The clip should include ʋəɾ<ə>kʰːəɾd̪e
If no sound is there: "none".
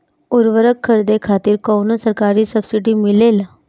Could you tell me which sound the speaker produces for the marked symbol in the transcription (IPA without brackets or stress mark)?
ə